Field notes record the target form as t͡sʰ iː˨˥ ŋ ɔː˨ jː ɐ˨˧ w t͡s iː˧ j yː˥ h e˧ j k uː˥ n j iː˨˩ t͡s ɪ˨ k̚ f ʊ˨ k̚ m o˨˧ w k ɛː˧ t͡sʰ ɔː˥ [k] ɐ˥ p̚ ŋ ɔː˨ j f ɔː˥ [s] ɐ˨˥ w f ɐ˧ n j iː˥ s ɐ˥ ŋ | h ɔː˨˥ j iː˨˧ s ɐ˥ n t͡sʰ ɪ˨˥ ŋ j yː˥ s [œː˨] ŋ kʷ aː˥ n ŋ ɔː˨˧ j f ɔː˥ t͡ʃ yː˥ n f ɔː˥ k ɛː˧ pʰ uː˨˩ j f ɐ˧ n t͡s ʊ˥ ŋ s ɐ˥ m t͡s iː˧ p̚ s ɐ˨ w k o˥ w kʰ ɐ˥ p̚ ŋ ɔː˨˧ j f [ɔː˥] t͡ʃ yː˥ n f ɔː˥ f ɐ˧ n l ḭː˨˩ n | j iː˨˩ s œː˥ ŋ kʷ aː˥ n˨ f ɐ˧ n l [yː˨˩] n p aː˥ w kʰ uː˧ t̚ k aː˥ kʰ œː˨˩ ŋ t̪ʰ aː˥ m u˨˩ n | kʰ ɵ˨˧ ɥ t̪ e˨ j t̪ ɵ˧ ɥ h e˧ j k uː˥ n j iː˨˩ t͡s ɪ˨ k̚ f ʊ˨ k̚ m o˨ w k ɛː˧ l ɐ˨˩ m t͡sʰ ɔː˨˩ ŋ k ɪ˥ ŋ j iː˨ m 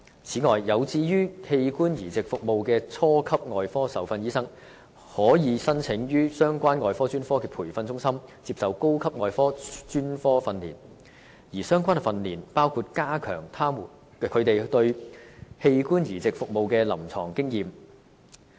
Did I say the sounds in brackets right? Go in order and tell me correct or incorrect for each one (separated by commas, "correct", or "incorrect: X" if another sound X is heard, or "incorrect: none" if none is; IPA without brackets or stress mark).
incorrect: kʰ, correct, incorrect: œː˥, correct, incorrect: iː˨˩